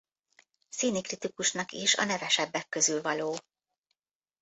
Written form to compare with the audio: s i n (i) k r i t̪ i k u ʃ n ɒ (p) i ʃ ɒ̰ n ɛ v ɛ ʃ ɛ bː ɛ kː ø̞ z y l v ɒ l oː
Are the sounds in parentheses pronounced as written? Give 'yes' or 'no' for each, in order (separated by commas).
yes, no